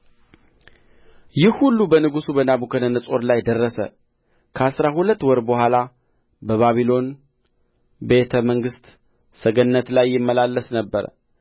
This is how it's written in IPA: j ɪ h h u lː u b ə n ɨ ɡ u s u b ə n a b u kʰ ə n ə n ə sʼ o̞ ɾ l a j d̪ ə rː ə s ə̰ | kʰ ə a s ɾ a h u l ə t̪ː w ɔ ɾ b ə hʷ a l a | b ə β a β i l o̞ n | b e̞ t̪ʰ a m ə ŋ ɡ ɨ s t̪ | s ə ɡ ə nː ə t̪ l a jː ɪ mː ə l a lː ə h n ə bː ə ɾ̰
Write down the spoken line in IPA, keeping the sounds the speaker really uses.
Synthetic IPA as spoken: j ɪ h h u lː u b ə n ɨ ɡ u s u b ə n a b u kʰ ə n ə n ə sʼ o̞ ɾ l a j d̪ ə rː ə s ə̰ | kʰ ə a s ɾ a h u l ə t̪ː w ɔ ɾ b ə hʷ a l a | b ə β a β i l o̞ n | b e̞ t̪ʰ ə m ə ŋ ɡ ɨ s t̪ | s ə ɡ ə nː ə t̪ l a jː ɪ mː ə l a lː ə s n ə bː ə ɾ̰